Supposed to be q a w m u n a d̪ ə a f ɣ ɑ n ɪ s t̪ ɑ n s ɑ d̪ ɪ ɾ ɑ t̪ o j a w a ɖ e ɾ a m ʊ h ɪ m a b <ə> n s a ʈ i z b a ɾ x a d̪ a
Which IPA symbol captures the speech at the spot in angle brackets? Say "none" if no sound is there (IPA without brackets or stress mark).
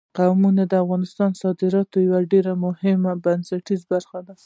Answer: a